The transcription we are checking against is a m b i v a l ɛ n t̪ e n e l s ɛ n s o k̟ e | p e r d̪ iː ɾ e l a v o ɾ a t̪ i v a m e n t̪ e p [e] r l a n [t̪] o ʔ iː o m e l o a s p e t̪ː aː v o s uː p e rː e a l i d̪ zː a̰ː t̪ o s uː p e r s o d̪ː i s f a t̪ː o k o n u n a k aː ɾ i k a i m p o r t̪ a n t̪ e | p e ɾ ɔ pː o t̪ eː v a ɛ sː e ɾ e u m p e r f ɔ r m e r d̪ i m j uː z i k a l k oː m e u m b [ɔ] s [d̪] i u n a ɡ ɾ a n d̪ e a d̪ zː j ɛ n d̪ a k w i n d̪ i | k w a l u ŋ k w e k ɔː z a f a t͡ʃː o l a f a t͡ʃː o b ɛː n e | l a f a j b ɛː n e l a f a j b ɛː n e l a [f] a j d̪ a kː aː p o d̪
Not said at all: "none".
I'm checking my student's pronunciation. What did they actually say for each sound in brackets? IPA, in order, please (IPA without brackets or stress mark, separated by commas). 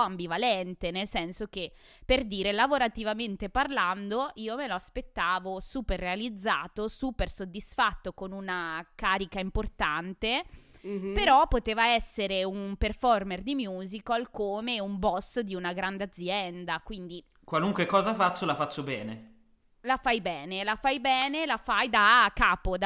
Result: a, d̪, ɔ, d̪, f